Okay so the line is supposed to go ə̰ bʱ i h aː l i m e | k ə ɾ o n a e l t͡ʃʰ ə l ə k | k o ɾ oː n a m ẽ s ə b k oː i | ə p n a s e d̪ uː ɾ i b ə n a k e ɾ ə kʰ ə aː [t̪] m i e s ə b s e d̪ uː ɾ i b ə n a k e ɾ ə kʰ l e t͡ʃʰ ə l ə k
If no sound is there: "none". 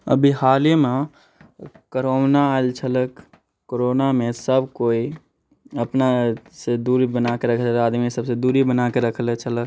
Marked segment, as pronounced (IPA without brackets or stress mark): d̪